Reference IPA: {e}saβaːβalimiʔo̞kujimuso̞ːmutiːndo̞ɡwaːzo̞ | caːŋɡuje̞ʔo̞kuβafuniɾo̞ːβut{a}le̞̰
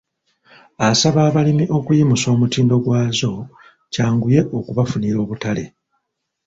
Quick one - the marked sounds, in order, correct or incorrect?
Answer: incorrect: a, correct

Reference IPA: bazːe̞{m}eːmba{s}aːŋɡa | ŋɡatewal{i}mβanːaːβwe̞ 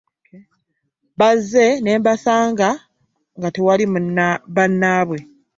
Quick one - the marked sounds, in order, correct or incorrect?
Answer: incorrect: n, correct, correct

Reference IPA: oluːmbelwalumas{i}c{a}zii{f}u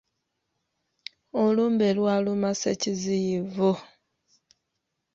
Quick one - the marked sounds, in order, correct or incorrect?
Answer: incorrect: e, incorrect: i, incorrect: v

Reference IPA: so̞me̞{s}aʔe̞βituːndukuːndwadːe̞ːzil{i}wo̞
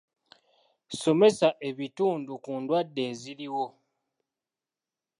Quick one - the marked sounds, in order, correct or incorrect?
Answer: correct, correct

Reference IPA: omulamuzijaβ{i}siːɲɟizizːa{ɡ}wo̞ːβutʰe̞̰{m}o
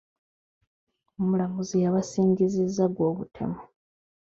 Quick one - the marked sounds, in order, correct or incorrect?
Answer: incorrect: a, correct, correct

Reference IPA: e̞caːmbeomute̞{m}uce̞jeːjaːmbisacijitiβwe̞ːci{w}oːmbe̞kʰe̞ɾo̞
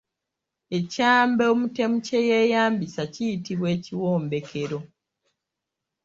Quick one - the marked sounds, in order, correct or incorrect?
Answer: correct, correct

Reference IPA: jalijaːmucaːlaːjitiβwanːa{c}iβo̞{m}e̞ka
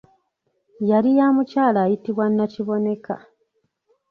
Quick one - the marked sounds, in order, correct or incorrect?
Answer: correct, incorrect: n

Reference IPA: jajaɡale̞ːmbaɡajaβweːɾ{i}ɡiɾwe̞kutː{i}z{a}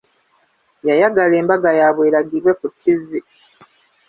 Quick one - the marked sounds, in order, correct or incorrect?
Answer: incorrect: a, correct, incorrect: i

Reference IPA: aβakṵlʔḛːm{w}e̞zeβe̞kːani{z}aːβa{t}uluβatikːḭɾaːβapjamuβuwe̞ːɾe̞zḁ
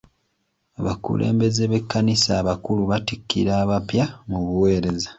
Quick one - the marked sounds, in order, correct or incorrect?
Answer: incorrect: b, incorrect: s, incorrect: k

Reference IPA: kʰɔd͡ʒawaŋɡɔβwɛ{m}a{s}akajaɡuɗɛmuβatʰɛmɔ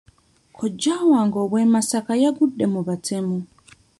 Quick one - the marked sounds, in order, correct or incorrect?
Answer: correct, correct

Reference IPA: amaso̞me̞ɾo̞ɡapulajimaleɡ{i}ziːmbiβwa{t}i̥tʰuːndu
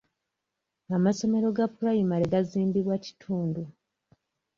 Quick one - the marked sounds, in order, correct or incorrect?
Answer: incorrect: a, incorrect: c

